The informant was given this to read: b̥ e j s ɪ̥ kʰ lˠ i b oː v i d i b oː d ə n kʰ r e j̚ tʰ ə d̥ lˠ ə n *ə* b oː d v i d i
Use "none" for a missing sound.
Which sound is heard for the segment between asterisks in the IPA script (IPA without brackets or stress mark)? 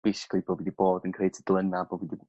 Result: a